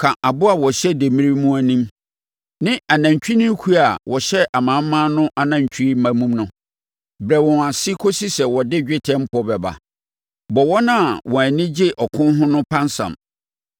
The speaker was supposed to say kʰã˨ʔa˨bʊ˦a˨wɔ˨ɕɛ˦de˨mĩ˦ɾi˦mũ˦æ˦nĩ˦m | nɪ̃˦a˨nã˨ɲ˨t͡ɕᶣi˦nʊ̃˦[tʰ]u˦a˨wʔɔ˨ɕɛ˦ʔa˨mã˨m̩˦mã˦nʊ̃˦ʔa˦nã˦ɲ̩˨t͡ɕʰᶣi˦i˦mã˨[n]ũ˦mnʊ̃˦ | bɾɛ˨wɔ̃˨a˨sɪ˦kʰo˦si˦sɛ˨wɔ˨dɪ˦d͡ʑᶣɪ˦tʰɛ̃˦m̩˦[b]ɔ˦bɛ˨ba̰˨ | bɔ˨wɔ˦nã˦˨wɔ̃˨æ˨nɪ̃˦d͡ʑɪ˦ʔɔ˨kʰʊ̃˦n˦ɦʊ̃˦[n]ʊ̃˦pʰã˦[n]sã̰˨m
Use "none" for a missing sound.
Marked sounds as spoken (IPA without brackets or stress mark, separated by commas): kʰ, m, p, n, n